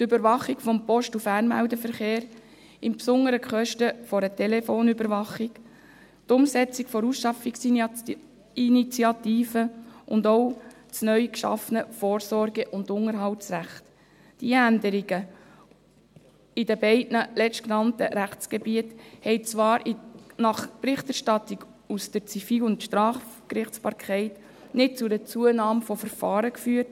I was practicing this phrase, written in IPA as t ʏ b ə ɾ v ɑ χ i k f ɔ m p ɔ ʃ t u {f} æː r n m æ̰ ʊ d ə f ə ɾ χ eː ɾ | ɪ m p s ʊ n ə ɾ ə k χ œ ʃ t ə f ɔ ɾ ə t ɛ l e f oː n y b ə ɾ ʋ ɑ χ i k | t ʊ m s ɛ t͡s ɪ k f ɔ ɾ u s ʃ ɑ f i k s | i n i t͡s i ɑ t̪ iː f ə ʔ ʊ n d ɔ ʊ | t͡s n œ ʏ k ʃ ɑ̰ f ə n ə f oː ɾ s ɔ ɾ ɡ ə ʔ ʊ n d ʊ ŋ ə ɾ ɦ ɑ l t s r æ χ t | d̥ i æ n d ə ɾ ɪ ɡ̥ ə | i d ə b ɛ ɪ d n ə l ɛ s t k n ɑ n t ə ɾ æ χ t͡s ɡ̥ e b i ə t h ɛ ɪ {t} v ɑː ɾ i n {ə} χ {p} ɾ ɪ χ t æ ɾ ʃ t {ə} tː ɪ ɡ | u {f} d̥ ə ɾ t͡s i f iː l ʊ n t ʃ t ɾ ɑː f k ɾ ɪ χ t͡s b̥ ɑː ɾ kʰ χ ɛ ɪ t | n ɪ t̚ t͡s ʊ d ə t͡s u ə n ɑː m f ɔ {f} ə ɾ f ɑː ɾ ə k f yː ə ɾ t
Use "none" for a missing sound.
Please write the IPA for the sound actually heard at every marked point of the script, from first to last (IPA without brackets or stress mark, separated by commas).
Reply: f, t͡s, ɑ, p, ɑ, s, f